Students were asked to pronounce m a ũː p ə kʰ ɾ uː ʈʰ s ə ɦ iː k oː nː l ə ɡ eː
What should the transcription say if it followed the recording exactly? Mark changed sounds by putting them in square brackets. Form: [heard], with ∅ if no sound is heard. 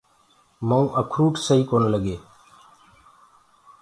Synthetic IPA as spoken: m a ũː [ʔ] ə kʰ ɾ uː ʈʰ s ə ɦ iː k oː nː l ə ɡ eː